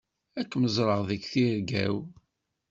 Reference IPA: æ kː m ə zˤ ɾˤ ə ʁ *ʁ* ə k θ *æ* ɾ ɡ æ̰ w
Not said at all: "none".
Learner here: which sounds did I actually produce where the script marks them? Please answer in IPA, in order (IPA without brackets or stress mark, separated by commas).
ð, i